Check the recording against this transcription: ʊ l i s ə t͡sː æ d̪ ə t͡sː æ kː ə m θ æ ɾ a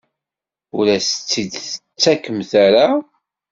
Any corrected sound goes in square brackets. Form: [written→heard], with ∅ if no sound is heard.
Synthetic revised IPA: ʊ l [i→æ] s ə t͡sː [æ→i] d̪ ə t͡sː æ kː ə m θ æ ɾ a